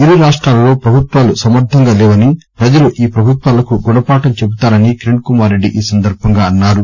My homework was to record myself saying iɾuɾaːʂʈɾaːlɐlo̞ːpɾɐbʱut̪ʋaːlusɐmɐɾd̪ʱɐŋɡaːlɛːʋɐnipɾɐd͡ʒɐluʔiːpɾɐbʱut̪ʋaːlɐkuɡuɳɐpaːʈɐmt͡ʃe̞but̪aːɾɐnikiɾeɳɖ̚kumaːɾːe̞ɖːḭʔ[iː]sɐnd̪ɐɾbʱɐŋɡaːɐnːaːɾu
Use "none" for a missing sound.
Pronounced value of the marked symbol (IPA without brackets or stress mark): iː